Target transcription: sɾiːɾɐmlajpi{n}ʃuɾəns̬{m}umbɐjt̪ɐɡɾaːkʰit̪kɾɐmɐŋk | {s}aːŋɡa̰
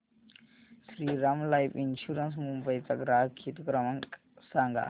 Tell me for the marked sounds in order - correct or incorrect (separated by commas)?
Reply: correct, correct, correct